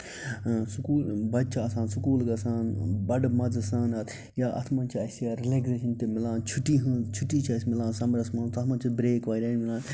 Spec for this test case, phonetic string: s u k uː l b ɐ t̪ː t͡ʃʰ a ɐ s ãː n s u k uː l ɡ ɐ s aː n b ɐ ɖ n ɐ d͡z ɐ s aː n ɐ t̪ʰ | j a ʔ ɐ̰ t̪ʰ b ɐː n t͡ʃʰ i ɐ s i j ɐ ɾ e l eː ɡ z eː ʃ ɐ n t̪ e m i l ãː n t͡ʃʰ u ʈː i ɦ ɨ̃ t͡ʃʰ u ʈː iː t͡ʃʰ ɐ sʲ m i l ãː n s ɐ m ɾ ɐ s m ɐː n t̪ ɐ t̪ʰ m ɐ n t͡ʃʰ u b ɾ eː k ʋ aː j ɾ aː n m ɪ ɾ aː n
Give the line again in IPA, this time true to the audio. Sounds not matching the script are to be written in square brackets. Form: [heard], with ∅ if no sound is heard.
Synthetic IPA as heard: s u k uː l b ɐ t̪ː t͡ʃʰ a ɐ s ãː n s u k uː l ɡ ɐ s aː n b ɐ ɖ [m] ɐ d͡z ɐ s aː n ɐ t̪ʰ | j a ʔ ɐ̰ t̪ʰ [m] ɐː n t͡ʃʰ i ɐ s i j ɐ ɾ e l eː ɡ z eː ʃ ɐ n t̪ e m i l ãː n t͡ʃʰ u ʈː i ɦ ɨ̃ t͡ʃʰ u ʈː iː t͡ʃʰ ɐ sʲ m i l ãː n s ɐ m ɾ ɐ s m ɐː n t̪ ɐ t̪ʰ m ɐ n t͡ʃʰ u b ɾ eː k ʋ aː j ɾ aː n m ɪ [l] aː n